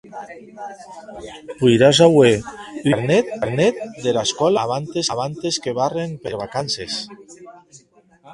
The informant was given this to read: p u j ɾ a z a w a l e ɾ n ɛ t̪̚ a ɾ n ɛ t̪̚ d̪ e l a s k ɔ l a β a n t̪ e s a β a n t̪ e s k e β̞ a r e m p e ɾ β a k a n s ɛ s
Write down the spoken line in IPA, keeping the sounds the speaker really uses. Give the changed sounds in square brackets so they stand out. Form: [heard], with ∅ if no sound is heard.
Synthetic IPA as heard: p u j ɾ a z a w [e] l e ɾ n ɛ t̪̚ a ɾ n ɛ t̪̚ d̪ e l a s k ɔ l a β a n t̪ e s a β a n t̪ e s k e β̞ a r e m p e ɾ β a k a n s [e] s